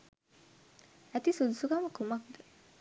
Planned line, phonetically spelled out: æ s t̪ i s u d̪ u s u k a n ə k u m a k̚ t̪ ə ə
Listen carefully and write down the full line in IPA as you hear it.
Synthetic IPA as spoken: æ t̪ i s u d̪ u s u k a m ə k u m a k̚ d̪ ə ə